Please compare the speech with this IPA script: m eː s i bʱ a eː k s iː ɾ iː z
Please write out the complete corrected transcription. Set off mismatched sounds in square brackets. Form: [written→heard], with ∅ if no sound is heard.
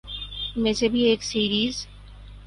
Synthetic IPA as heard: m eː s [i→e] bʱ [a→i] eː k s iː ɾ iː z